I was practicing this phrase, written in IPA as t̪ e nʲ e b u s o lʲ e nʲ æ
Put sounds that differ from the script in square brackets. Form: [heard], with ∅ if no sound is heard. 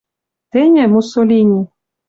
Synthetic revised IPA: t̪ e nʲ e [m] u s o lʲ [i] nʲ [i]